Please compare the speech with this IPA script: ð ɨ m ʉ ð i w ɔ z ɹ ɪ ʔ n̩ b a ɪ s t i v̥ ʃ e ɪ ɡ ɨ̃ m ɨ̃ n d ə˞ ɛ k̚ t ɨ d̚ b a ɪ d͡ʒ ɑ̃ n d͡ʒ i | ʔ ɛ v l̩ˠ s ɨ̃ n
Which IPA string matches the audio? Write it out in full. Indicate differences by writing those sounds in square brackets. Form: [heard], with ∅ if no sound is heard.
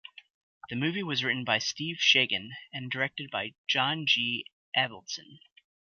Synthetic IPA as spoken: ð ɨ m ʉ [v] i w [ʌ] z ɹ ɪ ʔ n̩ b a ɪ s t i v̥ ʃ e ɪ ɡ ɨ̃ [n] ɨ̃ n d ə˞ ɛ k̚ t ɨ d̚ b a ɪ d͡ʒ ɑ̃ n d͡ʒ i | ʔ ɛ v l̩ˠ s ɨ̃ n